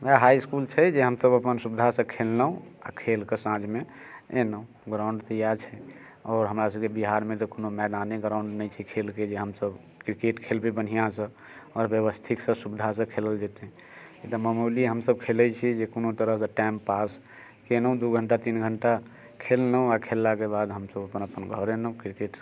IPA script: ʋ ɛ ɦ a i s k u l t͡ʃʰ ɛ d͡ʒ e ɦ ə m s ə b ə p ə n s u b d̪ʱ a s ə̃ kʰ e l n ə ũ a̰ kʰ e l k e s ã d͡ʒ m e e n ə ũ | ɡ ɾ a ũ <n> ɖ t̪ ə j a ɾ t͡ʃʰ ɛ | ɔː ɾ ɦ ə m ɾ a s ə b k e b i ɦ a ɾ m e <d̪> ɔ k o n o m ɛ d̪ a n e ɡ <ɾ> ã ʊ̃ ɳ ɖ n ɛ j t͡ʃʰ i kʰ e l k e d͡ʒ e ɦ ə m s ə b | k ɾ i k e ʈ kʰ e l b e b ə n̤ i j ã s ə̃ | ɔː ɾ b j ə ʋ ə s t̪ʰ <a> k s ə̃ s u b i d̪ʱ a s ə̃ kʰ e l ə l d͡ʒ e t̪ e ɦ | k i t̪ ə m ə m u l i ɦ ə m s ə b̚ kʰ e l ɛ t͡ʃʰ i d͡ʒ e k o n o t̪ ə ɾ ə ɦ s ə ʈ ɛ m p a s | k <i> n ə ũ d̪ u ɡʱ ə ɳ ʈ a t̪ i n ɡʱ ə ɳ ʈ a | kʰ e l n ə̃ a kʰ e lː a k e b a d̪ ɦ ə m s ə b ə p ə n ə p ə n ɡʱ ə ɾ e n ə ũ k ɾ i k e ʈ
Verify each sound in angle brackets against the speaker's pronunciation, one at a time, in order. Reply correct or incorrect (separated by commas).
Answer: incorrect, incorrect, correct, incorrect, incorrect